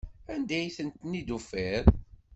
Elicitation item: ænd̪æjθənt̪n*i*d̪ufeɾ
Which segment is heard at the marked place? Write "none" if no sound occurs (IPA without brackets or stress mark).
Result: i